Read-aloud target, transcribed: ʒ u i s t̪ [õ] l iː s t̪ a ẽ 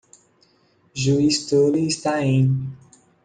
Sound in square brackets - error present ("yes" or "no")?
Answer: yes